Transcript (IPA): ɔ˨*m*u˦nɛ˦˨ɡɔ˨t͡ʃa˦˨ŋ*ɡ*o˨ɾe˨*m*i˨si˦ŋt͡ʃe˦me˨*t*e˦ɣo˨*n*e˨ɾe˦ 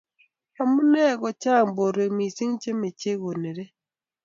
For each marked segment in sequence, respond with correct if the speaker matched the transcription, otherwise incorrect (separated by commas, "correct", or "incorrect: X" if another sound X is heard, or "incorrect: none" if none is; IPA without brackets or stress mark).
correct, incorrect: b, correct, incorrect: t͡ʃ, correct